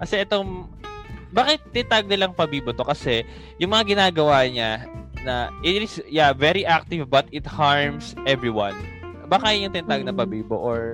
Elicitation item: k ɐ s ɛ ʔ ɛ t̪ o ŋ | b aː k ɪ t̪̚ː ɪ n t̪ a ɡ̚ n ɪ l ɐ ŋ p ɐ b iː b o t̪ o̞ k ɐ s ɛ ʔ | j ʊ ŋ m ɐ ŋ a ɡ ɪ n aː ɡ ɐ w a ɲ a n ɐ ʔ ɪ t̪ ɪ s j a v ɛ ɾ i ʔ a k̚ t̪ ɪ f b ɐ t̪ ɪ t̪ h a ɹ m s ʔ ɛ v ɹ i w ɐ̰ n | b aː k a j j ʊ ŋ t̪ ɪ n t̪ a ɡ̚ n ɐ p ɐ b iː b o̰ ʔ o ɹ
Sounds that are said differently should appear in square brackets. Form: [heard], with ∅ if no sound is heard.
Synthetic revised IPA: k ɐ s ɛ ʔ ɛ t̪ o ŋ | b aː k ɪ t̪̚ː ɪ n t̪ a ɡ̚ n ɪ l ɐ ŋ p ɐ b iː b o t̪ o̞ k ɐ s ɛ [∅] | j ʊ ŋ m ɐ ŋ a ɡ ɪ n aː ɡ ɐ w a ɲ a n ɐ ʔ ɪ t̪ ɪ s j a v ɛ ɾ i ʔ a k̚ t̪ ɪ [v] b ɐ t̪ ɪ t̪ h a ɹ m s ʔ ɛ v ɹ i w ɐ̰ n | b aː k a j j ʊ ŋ t̪ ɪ n t̪ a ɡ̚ n ɐ p ɐ b iː b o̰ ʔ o ɹ